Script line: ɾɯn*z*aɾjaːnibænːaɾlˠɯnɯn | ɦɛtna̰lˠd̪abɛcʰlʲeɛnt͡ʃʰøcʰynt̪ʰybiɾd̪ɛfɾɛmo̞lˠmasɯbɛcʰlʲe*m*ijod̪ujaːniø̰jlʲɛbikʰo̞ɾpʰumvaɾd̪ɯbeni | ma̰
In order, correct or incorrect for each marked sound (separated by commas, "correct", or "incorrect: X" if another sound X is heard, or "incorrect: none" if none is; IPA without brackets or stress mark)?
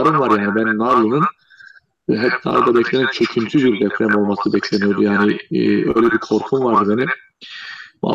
incorrect: v, incorrect: n